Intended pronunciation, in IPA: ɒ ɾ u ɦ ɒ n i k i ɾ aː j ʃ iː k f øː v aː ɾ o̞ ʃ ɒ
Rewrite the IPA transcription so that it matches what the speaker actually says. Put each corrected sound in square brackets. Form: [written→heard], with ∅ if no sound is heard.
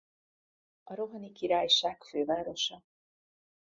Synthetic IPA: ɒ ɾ [u→o] ɦ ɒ n i k i ɾ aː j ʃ [iː→aː] k f øː v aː ɾ o̞ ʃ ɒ